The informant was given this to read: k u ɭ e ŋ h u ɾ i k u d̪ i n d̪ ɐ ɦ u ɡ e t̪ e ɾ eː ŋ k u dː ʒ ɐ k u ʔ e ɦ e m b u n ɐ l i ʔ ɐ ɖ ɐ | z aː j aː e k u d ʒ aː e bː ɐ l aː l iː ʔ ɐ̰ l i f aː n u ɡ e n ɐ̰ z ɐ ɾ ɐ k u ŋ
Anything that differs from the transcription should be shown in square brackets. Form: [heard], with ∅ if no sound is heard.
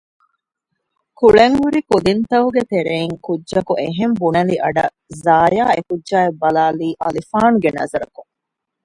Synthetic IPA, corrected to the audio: k u ɭ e ŋ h u ɾ i k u d̪ i n [t̪] ɐ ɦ u ɡ e t̪ e ɾ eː ŋ k u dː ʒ ɐ k u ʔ e ɦ e m b u n ɐ l i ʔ ɐ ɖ ɐ | z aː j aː e k u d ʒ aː e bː ɐ l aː l iː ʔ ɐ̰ l i f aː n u ɡ e n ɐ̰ z ɐ ɾ ɐ k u ŋ